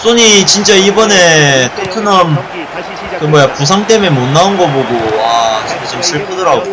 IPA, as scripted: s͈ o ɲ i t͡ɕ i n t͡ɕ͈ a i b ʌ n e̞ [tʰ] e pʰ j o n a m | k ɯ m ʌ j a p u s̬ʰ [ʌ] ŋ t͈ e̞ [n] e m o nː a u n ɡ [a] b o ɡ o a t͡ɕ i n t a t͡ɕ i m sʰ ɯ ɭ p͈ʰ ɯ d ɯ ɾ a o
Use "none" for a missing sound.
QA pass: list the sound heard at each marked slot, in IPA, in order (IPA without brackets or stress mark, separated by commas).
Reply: tʰ, a, m, ʌ